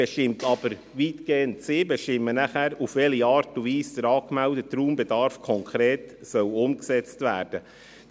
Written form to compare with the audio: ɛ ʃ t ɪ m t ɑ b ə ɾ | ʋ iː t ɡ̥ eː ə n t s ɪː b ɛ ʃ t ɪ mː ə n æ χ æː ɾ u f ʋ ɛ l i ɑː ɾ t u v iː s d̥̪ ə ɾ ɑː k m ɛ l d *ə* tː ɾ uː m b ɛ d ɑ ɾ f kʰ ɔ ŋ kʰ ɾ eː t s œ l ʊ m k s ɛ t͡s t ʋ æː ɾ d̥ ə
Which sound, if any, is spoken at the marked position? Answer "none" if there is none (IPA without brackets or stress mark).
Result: ə